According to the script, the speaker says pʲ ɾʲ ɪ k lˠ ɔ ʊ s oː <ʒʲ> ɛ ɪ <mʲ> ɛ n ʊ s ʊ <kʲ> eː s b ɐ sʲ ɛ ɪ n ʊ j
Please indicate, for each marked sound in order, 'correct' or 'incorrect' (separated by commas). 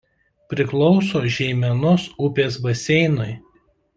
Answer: correct, correct, incorrect